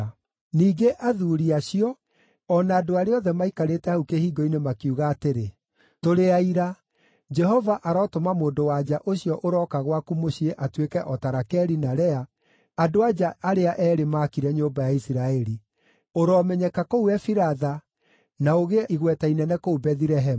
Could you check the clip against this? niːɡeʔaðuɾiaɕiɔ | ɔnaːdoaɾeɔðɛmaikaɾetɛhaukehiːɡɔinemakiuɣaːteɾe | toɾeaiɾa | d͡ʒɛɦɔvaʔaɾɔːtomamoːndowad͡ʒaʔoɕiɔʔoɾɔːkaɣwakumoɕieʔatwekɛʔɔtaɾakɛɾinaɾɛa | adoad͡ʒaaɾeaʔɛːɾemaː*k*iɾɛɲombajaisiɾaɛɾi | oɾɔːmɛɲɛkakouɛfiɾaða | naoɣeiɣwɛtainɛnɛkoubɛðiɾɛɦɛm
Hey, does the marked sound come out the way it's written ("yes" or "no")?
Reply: yes